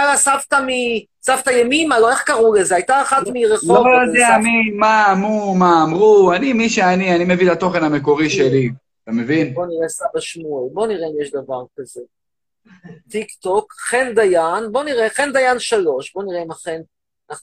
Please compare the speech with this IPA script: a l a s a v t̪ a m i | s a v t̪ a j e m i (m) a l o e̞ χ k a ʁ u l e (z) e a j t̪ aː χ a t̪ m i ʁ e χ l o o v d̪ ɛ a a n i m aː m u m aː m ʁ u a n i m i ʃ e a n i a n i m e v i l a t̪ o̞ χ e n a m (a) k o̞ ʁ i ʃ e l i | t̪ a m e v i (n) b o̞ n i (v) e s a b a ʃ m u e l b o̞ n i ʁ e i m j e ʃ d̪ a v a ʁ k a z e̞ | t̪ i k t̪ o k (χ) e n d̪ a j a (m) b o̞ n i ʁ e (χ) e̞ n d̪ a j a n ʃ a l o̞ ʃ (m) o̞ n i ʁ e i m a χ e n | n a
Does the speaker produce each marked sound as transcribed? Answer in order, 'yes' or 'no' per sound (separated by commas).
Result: yes, yes, no, yes, no, yes, no, yes, no